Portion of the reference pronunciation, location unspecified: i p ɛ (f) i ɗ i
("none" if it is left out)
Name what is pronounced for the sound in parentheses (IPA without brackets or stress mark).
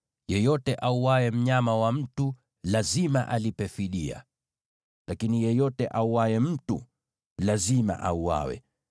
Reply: f